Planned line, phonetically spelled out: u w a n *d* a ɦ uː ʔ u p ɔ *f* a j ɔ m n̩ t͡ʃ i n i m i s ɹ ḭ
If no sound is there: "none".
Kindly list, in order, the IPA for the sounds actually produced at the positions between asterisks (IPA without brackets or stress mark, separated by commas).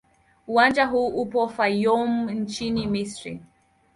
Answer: d͡ʒ, f